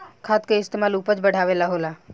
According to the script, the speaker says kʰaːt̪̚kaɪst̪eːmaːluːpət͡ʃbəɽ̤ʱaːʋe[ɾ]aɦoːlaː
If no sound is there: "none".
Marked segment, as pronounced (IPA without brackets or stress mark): l